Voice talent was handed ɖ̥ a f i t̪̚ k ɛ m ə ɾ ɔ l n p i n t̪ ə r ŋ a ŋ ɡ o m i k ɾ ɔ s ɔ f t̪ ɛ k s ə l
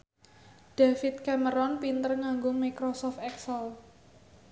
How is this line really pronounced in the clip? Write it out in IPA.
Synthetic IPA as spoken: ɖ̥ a f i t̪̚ k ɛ m ə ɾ ɔ n p i n t̪ ə r ŋ a ŋ ɡ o m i k ɾ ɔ s ɔ f t̪ ɛ k s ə l